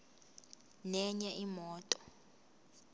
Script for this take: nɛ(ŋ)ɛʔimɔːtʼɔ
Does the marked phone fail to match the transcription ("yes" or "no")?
yes